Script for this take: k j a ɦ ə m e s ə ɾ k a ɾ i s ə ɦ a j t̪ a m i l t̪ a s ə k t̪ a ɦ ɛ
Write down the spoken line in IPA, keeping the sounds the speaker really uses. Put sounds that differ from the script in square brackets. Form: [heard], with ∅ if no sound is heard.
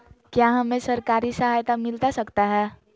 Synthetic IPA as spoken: k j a ɦ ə m e s ə ɾ k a ɾ i s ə ɦ a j t̪ a m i l t̪ a s ə k t̪ a ɦ ɛ